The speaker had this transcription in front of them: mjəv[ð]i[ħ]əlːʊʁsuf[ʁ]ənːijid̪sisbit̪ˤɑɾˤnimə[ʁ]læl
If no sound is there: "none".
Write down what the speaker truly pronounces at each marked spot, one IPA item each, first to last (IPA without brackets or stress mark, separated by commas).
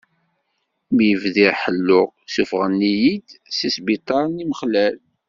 ð, ħ, ʁ, χ